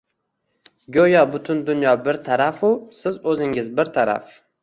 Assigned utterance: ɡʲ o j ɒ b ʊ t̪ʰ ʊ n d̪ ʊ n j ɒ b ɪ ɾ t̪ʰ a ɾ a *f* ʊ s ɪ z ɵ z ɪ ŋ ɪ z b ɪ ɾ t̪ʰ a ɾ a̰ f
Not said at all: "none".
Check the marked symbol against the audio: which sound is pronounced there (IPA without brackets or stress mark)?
f